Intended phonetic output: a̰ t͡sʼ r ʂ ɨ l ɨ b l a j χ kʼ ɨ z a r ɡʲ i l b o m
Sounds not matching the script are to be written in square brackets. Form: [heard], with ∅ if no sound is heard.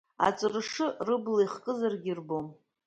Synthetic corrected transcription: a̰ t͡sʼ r ʂ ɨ [r] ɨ b l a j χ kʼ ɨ z a r ɡʲ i [r] b o m